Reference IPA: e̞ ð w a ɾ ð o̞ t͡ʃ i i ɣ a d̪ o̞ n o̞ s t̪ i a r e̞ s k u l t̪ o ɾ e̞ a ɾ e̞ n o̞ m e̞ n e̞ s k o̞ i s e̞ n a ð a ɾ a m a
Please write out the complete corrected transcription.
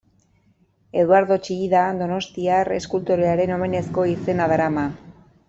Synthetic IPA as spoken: e̞ ð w a ɾ ð o̞ t͡ʃ i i ð a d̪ o̞ n o̞ s t̪ i a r e̞ s k u l t̪ o ɾ e̞ a ɾ e̞ n o̞ m e̞ n e̞ s k o̞ i s e̞ n a ð a ɾ a m a

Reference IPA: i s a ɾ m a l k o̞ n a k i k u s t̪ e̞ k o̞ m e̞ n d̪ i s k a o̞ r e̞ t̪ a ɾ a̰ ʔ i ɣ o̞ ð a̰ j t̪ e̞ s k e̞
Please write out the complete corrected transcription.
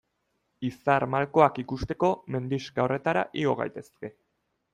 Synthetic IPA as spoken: i s a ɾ m a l k o̞ a k i k u s t̪ e̞ k o̞ m e̞ n d̪ i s k a o̞ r e̞ t̪ a ɾ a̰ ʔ i ɣ o̞ ɣ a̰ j t̪ e̞ s k e̞

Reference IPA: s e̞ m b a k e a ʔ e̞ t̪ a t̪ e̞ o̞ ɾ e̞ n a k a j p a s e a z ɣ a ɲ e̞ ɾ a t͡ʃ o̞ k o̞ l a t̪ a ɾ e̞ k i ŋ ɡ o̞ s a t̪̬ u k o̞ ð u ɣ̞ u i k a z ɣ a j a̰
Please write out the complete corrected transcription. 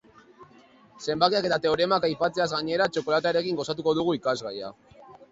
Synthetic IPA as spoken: s e̞ m b a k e a k e̞ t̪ a t̪ e̞ o̞ ɾ e̞ m a k a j p a t͡s e a z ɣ a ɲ e̞ ɾ a t͡ʃ o̞ k o̞ l a t̪ a ɾ e̞ k i ŋ ɡ o̞ s a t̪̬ u k o̞ ð u ɣ̞ u i k a z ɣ a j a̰

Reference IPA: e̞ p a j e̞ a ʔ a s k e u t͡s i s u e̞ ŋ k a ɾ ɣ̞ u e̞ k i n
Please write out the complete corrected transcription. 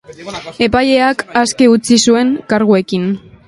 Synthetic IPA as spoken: e̞ p a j e̞ a k a s k e u t͡s i s u e̞ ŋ k a ɾ ɣ̞ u e̞ k i n

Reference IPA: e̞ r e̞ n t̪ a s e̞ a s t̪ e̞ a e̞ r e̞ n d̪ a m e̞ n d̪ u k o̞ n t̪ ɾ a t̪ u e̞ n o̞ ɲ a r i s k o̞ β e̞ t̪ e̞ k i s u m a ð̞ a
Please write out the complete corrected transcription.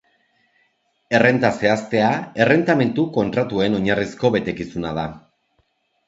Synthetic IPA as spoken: e̞ r e̞ n t̪ a s e̞ a s t̪ e̞ a e̞ r e̞ n t̪ a m e̞ n t̪ u k o̞ n t̪ ɾ a t̪ u e̞ n o̞ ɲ a r i s k o̞ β e̞ t̪ e̞ k i s u n a ð̞ a

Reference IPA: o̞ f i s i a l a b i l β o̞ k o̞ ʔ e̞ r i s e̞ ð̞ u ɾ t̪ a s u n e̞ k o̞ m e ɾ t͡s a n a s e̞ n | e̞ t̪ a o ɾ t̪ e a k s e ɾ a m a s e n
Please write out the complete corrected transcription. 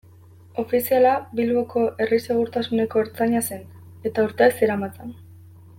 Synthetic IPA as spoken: o̞ f i s i a l a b i l β o̞ k o̞ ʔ e̞ r i s e̞ ɣ̞ u ɾ t̪ a s u n e̞ k o̞ e ɾ t͡s a ɲ a s e̞ n | e̞ t̪ a u ɾ t̪ e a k s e ɾ a m a t͡s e n

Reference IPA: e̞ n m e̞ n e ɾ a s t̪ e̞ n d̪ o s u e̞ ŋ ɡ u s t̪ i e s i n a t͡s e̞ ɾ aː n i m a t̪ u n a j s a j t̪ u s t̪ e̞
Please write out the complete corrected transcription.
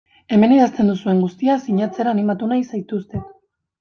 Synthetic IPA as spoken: e̞ m e̞ n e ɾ a s t̪ e̞ n d̪ u s u e̞ ŋ ɡ u s t̪ i a s i ɲ a t͡s e̞ ɾ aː n i m a t̪ u n a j s a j t̪ u s t̪ e̞

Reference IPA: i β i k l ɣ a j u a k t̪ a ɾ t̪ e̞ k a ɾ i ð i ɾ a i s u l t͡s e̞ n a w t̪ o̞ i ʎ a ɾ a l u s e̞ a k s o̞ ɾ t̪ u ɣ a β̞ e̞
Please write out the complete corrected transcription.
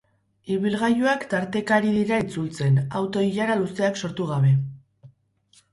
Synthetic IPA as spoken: i β i l ɣ a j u a k t̪ a ɾ t̪ e̞ k a ɾ i ð i ɾ a i t͡s u l t͡s e̞ n a w t̪ o̞ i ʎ a ɾ a l u s e̞ a k s o̞ ɾ t̪ u ɣ a β̞ e̞

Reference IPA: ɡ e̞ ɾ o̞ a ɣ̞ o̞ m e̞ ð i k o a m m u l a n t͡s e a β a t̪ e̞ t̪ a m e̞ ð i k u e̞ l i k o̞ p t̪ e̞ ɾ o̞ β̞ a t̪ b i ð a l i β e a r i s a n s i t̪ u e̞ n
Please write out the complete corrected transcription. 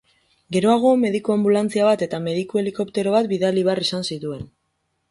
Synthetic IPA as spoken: ɡ e̞ ɾ o̞ a ɣ̞ o̞ m e̞ ð i k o a m b u l a n t͡s i a β a t̪ e̞ t̪ a m e̞ ð i k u e̞ l i k o̞ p t̪ e̞ ɾ o̞ β̞ a t̪ b i ð a l i β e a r i s a n s i t̪ u e̞ n

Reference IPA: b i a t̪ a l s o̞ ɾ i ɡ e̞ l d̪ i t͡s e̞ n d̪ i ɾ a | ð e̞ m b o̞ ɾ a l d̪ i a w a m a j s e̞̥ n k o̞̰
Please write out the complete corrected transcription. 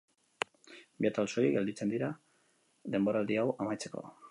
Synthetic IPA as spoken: b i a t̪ a l s o̞ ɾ i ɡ e̞ l d̪ i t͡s e̞ n d̪ i ɾ a | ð e̞ m b o̞ ɾ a l d̪ i a w a m a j t͡s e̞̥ k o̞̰

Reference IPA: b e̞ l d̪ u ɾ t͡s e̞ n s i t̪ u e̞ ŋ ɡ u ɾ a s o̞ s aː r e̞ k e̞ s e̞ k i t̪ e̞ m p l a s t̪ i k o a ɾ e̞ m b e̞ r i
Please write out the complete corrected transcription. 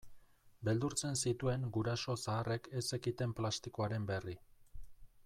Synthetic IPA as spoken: b e̞ l d̪ u ɾ t͡s e̞ n s i t̪ u e̞ ŋ ɡ u ɾ a s o̞ s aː r e̞ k e̞ s e̞ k i t̪ e̞ m p l a s t̪ i k o a ɾ e̞ m b e̞ r i

